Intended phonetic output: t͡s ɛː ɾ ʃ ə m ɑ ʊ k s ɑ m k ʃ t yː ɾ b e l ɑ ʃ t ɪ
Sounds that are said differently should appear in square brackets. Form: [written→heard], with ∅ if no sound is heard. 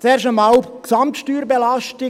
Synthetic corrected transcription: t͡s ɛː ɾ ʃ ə m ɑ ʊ k s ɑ m [k→t] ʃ t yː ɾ b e l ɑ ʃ t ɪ